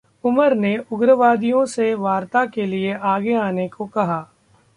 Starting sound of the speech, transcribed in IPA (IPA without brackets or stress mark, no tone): ʊ